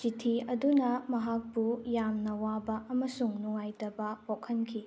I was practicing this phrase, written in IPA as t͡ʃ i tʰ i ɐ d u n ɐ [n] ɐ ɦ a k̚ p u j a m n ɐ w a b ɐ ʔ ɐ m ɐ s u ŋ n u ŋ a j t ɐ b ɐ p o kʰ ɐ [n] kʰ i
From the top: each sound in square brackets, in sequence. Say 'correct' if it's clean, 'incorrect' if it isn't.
incorrect, correct

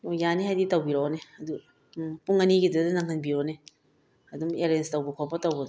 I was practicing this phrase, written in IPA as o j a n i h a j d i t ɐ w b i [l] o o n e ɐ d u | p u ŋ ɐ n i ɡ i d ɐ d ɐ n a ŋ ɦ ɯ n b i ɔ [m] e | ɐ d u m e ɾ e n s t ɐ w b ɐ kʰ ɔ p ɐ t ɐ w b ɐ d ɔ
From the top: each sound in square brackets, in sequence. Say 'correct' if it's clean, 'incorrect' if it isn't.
incorrect, incorrect

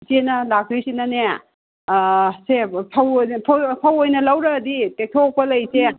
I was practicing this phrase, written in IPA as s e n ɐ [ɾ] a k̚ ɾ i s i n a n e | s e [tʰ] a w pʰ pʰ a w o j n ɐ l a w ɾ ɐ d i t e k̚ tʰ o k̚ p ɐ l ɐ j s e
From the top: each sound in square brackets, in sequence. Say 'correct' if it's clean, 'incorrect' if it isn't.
incorrect, incorrect

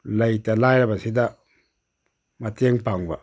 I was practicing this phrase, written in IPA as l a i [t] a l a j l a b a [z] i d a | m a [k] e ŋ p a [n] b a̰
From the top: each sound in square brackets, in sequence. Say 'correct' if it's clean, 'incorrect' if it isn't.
correct, incorrect, incorrect, incorrect

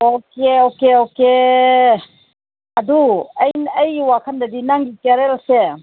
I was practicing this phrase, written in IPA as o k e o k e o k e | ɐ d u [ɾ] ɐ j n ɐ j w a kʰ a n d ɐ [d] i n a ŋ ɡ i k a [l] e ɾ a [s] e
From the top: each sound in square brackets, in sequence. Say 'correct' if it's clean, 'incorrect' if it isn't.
incorrect, correct, incorrect, correct

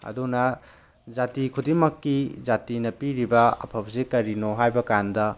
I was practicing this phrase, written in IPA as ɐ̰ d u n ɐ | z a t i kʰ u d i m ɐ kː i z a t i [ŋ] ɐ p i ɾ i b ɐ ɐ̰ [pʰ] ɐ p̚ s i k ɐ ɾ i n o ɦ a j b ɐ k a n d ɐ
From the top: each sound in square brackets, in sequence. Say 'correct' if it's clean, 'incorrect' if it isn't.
incorrect, correct

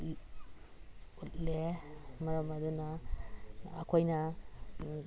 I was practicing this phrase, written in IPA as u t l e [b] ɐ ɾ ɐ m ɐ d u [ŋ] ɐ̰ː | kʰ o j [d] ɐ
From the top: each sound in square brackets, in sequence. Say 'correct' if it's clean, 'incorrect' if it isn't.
incorrect, incorrect, incorrect

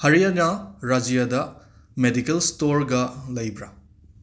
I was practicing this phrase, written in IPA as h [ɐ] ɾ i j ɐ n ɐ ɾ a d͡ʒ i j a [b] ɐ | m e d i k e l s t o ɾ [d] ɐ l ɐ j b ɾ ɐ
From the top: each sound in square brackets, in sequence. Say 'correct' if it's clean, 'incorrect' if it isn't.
correct, incorrect, incorrect

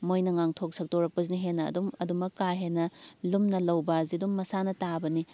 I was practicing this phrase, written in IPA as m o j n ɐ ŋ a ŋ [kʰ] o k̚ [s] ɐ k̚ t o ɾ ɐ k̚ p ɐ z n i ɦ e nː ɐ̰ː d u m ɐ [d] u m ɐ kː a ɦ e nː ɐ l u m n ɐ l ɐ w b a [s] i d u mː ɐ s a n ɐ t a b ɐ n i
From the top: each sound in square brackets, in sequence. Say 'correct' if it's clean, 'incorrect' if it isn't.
incorrect, correct, correct, incorrect

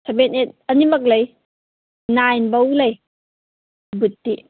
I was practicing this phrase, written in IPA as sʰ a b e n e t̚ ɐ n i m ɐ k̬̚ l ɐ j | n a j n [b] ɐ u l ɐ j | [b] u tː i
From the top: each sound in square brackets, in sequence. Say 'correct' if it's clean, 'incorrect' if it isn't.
correct, correct

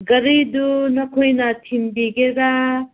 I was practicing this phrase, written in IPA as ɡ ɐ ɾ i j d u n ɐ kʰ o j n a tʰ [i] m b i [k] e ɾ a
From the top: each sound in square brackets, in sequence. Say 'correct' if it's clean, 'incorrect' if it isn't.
correct, incorrect

